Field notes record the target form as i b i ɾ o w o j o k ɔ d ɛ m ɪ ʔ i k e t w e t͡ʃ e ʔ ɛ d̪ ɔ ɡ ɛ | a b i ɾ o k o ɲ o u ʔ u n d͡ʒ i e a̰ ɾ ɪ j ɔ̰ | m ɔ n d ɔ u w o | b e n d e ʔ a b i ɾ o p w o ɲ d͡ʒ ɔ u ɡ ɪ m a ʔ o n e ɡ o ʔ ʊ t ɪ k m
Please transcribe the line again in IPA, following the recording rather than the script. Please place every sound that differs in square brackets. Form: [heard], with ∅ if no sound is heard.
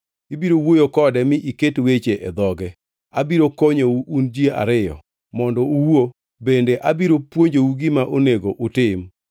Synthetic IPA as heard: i b i ɾ o w o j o k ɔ d ɛ m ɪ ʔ i k e t w e t͡ʃ e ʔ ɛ d̪ ɔ ɡ ɛ | a b i ɾ o k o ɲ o u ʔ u n d͡ʒ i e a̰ ɾ ɪ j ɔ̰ | m ɔ n d ɔ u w o | b e n d e ʔ a b i ɾ o p w o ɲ d͡ʒ [o] u ɡ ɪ m a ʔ o n e ɡ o ʔ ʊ t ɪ [∅] m